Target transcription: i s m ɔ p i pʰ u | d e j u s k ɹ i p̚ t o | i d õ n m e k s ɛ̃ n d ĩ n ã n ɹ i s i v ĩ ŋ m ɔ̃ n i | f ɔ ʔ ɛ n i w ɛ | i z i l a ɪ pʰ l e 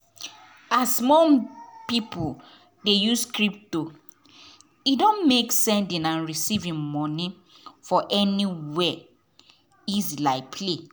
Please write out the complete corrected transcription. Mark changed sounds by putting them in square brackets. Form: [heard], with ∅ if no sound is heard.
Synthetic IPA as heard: [a] s m ɔ p i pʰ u | d e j u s k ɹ i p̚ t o | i d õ n m e k s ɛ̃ n d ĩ n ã n ɹ i s i v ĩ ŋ m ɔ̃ n i | f ɔ ʔ ɛ n i w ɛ | i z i l a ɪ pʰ l e